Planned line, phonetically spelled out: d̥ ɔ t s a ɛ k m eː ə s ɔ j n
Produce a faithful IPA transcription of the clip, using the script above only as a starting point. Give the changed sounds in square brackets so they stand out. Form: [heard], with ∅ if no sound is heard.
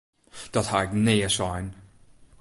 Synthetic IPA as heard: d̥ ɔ t [h] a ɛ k [n] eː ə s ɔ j n